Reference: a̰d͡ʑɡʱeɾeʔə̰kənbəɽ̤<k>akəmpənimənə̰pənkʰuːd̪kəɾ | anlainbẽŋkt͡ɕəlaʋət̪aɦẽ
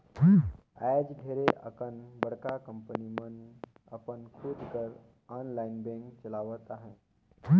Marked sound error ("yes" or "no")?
no